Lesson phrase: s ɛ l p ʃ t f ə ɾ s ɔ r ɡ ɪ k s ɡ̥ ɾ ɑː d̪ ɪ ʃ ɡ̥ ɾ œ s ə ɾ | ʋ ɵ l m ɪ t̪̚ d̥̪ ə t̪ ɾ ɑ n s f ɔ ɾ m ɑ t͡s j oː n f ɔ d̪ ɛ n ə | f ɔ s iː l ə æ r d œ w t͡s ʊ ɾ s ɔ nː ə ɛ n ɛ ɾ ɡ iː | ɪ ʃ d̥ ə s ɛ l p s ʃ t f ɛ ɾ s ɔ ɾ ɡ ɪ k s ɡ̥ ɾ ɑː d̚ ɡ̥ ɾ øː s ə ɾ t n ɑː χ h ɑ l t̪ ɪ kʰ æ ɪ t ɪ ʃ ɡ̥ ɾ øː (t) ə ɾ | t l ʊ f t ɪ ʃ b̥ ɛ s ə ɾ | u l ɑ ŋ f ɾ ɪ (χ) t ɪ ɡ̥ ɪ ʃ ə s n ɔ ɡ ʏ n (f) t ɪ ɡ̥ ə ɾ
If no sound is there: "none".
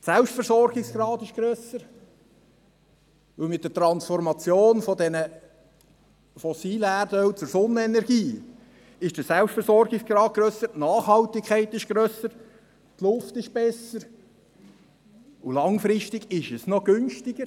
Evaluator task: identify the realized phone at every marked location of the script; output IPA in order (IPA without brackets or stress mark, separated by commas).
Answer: s, ʃ, ʃ